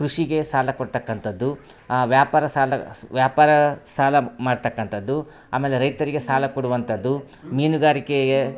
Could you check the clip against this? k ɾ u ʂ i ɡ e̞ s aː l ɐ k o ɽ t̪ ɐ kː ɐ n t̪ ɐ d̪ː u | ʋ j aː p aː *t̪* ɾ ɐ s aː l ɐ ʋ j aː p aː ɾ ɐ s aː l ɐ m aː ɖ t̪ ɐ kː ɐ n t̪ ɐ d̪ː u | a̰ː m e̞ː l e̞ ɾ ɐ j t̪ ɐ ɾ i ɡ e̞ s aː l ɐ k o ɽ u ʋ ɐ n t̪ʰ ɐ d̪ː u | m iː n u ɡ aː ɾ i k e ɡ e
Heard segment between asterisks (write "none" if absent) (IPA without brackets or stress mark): none